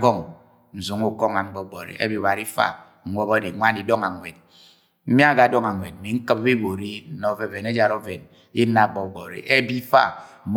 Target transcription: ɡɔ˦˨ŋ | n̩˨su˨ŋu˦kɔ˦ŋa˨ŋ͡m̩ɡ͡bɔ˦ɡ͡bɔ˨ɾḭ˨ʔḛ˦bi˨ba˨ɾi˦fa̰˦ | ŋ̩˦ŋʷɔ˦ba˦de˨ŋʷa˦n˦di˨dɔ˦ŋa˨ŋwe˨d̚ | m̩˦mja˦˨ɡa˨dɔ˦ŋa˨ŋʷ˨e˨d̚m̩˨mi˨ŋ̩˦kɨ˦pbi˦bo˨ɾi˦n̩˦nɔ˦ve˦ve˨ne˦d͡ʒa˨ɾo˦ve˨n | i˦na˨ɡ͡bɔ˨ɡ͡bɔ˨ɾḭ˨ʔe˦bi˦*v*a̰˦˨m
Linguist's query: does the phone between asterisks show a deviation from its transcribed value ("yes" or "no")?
yes